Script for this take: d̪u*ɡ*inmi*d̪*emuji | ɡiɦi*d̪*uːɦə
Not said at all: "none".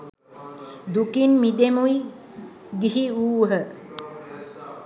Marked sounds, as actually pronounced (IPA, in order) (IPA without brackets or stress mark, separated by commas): k, d̪, none